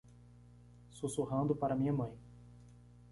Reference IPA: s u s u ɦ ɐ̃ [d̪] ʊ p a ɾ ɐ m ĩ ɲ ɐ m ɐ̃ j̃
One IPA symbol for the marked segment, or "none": d̪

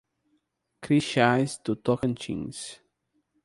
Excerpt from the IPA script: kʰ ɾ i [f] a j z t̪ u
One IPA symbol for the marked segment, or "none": ʃ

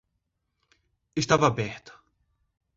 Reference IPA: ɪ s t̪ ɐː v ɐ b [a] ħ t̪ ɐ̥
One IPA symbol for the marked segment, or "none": ɛ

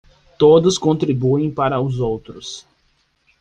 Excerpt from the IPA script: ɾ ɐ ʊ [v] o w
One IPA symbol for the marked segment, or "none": z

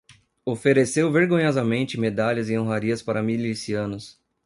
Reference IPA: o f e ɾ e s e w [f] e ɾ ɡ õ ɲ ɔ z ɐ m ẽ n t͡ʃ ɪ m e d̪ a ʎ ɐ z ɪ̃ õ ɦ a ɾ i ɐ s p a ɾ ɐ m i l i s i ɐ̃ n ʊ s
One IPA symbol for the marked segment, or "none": v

